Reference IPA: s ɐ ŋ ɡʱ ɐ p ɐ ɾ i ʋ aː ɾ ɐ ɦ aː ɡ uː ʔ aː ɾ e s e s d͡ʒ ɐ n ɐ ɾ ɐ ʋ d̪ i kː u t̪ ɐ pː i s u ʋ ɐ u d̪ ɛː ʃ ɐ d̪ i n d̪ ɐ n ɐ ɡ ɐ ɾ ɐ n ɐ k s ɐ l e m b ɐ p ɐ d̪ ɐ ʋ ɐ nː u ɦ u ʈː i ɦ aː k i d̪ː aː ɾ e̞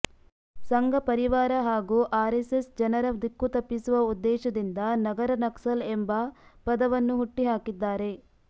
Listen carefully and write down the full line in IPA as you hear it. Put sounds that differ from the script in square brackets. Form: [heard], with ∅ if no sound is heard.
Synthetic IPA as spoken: s ɐ ŋ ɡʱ ɐ p ɐ ɾ i ʋ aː ɾ ɐ ɦ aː ɡ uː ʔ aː ɾ e s e s d͡ʒ ɐ n ɐ ɾ ɐ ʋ d̪ i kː u t̪ ɐ pː i s u ʋ ɐ u [d̪ː] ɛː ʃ ɐ d̪ i n d̪ ɐ n ɐ ɡ ɐ ɾ ɐ n ɐ k s ɐ l e m b ɐ p ɐ d̪ ɐ ʋ ɐ nː u ɦ u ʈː i ɦ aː k i d̪ː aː ɾ e̞

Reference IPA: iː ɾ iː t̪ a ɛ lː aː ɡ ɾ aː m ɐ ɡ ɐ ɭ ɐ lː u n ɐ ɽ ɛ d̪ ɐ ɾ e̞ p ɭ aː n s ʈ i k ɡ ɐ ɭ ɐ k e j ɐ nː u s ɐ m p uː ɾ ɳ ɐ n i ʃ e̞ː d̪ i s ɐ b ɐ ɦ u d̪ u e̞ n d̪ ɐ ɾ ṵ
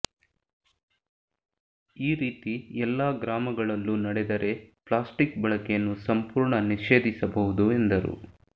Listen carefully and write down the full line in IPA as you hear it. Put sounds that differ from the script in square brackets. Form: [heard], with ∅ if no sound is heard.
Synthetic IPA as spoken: iː ɾ iː t̪ [i] ɛ lː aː ɡ ɾ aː m ɐ ɡ ɐ ɭ ɐ lː u n ɐ ɽ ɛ d̪ ɐ ɾ e̞ p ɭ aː [∅] s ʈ i k [b] ɐ ɭ ɐ k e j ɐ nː u s ɐ m p uː ɾ ɳ ɐ n i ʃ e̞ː d̪ i s ɐ b ɐ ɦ u d̪ u e̞ n d̪ ɐ ɾ ṵ

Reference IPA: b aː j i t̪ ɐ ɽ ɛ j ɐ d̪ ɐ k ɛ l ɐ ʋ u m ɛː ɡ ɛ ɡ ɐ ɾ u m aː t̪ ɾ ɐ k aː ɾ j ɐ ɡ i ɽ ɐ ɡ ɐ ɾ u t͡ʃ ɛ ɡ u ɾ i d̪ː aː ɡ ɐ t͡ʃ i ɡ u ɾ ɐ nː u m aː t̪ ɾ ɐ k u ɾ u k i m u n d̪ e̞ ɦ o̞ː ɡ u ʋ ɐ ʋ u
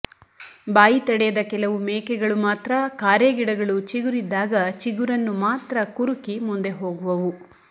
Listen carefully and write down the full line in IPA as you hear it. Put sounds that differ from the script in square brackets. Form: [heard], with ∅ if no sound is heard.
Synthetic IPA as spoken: b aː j i t̪ ɐ ɽ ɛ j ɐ d̪ ɐ k ɛ l ɐ ʋ u m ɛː [k] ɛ ɡ ɐ [ɭ] u m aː t̪ ɾ ɐ k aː ɾ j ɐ ɡ i ɽ ɐ ɡ ɐ [ɭ] u t͡ʃ [i] ɡ u ɾ i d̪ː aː ɡ ɐ t͡ʃ i ɡ u ɾ ɐ nː u m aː t̪ ɾ ɐ k u ɾ u k i m u n d̪ e̞ ɦ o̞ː ɡ u ʋ ɐ ʋ u

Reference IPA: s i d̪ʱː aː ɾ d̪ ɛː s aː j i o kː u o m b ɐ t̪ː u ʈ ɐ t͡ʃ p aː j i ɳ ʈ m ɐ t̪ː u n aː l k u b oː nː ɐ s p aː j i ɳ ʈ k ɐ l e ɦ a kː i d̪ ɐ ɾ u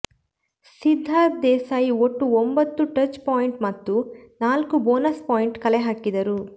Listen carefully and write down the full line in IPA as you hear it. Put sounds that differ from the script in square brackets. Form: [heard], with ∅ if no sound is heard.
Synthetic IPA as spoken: s i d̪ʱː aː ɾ d̪ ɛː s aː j i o [ʈː] u o m b ɐ t̪ː u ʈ ɐ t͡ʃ p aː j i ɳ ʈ m ɐ t̪ː u n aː l k u b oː [n] ɐ s p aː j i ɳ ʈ k ɐ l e ɦ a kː i d̪ ɐ ɾ u

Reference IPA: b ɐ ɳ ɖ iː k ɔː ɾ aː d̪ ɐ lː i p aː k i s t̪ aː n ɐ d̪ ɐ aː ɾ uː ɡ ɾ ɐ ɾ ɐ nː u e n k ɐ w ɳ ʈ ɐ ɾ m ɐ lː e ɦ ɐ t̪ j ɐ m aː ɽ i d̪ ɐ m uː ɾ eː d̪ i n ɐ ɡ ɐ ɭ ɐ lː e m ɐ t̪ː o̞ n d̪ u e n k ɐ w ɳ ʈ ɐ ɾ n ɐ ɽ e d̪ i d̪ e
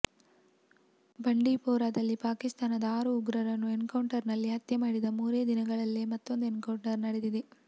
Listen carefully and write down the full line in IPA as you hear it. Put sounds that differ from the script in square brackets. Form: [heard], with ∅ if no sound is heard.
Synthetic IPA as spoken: b ɐ ɳ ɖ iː [p] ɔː ɾ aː d̪ ɐ lː i p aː k i s t̪ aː n ɐ d̪ ɐ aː ɾ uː ɡ ɾ ɐ ɾ ɐ nː u e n k ɐ w ɳ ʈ ɐ ɾ [n] ɐ lː [i] ɦ ɐ t̪ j ɐ m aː ɽ i d̪ ɐ m uː ɾ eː d̪ i n ɐ ɡ ɐ ɭ ɐ lː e m ɐ t̪ː o̞ n d̪ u e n k ɐ w ɳ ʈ ɐ ɾ n ɐ ɽ e d̪ i d̪ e

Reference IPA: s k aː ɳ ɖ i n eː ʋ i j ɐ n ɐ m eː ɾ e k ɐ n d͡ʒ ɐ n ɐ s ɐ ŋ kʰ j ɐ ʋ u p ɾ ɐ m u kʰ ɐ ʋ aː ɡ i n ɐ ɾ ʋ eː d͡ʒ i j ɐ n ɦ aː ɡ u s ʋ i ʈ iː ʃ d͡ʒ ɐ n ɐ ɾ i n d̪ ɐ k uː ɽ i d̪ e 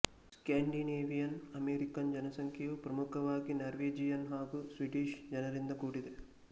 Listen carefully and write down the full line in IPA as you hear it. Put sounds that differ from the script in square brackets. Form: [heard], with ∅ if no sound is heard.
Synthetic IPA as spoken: s k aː ɳ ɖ i n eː ʋ i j ɐ n ɐ m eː ɾ [i] k ɐ n d͡ʒ ɐ n ɐ s ɐ ŋ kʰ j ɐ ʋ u p ɾ ɐ m u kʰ ɐ ʋ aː ɡ i n ɐ ɾ ʋ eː d͡ʒ i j ɐ n ɦ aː ɡ u s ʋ i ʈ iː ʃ d͡ʒ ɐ n ɐ ɾ i n d̪ ɐ k uː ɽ i d̪ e

